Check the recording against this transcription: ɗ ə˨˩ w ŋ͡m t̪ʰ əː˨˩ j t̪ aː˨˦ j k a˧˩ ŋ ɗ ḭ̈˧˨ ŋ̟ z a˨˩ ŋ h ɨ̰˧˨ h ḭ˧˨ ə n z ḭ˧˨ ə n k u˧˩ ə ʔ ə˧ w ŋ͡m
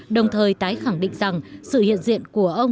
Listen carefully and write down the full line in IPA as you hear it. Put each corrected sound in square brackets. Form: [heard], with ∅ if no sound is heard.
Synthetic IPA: ɗ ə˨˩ w ŋ͡m t̪ʰ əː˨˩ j t̪ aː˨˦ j [x] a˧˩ ŋ ɗ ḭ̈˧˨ ŋ̟ z a˨˩ ŋ [s] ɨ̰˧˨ h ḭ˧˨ ə n z ḭ˧˨ ə n k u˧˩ ə ʔ ə˧ w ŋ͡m